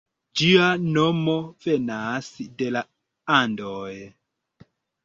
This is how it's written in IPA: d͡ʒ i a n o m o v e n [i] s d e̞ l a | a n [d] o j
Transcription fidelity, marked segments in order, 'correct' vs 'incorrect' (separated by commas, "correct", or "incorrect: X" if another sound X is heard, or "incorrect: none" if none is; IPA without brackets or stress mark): incorrect: a, correct